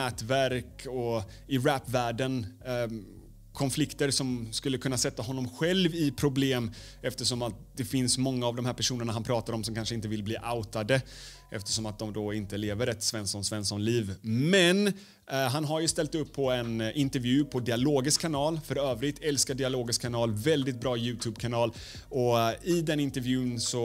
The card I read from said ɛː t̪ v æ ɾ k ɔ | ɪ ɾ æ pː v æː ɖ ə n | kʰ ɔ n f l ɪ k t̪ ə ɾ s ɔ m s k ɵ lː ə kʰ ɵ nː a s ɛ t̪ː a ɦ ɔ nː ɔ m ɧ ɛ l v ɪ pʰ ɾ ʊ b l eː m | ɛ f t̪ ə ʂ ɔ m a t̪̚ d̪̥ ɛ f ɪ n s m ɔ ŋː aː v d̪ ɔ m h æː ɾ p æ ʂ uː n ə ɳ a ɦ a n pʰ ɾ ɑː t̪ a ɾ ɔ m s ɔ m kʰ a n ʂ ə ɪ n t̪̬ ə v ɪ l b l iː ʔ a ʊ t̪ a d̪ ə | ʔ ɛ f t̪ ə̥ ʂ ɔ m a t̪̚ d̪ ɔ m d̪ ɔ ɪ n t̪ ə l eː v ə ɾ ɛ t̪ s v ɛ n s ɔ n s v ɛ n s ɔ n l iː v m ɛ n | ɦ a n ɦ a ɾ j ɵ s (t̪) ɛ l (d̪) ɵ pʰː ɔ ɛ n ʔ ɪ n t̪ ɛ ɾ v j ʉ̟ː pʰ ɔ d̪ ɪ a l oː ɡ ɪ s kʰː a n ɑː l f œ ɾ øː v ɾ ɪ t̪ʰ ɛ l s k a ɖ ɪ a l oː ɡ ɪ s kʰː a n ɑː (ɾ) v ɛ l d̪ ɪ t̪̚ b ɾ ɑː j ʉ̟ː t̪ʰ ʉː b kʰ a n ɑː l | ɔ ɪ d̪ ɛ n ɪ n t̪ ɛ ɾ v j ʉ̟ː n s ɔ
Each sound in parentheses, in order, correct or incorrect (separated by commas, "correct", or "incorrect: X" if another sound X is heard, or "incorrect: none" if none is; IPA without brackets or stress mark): correct, incorrect: t̪, incorrect: l